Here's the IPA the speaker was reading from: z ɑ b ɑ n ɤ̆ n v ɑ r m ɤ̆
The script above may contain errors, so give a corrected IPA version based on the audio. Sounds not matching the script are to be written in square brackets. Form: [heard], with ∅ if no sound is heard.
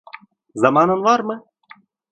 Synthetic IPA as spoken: z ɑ [m] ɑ n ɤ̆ n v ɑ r m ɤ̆